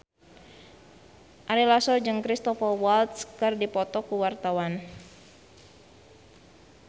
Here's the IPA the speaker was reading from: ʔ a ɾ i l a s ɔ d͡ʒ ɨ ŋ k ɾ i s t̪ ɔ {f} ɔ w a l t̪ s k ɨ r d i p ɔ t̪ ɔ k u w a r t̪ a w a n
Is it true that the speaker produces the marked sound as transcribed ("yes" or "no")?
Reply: yes